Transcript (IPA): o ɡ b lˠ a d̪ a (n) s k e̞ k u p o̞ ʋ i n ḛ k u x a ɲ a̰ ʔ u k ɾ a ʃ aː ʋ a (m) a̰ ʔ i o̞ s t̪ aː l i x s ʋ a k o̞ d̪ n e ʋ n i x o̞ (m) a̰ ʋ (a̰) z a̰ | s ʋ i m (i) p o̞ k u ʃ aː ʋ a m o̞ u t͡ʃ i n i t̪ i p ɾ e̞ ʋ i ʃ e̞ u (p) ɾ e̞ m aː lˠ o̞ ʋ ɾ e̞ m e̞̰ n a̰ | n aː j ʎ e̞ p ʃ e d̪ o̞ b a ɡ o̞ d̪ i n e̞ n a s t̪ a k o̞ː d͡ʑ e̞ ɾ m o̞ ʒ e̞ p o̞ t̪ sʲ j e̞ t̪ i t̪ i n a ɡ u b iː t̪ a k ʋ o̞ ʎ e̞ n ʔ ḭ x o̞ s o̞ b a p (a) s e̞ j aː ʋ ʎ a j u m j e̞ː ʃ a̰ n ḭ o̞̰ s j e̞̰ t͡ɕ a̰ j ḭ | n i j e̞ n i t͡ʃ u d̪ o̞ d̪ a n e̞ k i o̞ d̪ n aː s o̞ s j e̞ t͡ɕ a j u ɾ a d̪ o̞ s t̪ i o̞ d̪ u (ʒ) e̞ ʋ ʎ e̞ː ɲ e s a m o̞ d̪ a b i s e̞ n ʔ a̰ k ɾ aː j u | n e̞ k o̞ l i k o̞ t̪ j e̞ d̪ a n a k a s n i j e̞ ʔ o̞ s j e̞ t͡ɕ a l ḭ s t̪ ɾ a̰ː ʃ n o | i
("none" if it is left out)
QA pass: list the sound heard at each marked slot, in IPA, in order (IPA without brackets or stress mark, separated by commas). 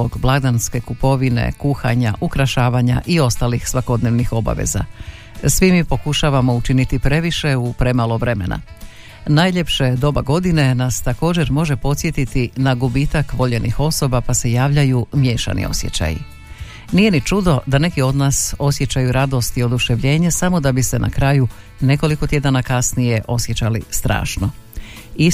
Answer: n, ɲ, b, ḛ, i, p, a, ʃ